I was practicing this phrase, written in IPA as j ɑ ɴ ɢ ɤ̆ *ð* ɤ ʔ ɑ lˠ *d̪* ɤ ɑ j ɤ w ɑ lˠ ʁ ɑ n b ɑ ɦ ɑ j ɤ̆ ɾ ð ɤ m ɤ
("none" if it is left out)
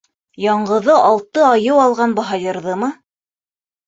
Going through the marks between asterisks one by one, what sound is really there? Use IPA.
ð, t̪

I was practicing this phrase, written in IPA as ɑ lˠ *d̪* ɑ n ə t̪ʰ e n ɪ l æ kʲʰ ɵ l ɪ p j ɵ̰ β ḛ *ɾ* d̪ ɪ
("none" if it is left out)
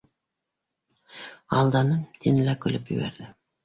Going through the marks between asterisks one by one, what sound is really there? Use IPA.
d̪, ɾ

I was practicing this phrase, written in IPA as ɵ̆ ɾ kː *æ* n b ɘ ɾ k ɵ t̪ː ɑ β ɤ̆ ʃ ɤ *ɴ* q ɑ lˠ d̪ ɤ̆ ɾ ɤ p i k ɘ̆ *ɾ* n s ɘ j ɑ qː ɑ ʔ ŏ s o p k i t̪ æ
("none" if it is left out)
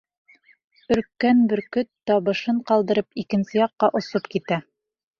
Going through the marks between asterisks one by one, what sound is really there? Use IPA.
æ, ɴ, none

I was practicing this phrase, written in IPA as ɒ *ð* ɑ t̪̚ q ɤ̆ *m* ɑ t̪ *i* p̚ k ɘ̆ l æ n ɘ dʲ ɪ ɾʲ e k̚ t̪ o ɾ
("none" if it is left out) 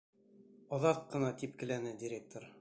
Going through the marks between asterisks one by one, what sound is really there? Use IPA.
ð, n, i

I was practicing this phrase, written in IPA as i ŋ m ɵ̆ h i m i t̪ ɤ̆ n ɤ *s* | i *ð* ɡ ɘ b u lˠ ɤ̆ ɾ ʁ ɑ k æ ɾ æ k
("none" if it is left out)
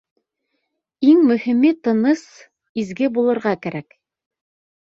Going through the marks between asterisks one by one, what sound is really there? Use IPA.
s, z

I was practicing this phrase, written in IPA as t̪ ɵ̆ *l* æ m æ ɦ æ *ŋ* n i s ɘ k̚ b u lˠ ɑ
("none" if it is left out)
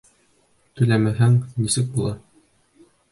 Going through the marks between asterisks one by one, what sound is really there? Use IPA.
l, ŋ

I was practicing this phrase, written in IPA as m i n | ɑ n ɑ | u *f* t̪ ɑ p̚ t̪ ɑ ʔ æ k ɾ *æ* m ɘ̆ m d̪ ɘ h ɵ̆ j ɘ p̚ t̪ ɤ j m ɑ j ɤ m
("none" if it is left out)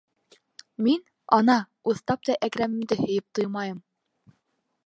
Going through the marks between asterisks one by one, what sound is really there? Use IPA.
θ, æ

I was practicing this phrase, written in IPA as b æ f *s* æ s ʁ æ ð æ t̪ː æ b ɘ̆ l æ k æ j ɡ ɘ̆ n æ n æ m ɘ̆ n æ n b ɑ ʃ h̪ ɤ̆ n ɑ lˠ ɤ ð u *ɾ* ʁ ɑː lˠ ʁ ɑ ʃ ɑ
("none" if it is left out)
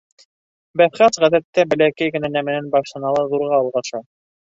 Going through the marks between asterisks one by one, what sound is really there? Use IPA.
χ, ɾ

